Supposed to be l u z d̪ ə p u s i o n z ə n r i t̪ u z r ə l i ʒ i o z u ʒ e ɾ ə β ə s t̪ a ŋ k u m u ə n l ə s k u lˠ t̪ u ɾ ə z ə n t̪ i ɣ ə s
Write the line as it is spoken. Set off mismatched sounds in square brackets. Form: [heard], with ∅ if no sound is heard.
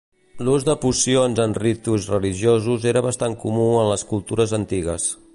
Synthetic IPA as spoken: l u z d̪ ə p u s i o n z ə n r i t̪ u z r ə l i ʒ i o z u [z] e ɾ ə β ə s t̪ a ŋ k u m u ə n l ə s k u lˠ t̪ u ɾ ə z ə n t̪ i ɣ ə s